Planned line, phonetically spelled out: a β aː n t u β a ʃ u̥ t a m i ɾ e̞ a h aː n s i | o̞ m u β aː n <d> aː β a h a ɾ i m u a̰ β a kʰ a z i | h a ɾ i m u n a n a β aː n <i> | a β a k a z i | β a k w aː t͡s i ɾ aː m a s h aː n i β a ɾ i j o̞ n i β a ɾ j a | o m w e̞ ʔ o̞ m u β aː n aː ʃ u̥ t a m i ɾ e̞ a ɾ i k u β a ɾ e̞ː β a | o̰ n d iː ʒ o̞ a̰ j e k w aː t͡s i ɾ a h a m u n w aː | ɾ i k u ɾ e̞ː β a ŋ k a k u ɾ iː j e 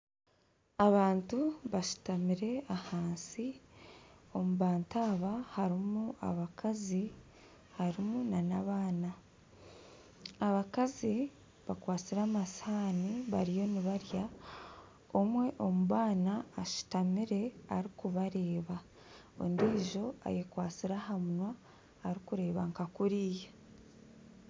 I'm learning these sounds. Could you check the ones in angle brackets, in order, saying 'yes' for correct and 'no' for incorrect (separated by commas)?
no, no